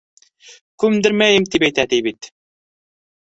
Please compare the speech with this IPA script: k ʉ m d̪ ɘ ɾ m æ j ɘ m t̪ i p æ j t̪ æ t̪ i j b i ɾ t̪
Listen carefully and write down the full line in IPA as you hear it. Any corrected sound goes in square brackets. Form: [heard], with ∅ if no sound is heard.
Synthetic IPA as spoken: k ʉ m d̪ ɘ ɾ m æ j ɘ m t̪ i p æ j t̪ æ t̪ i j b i [∅] t̪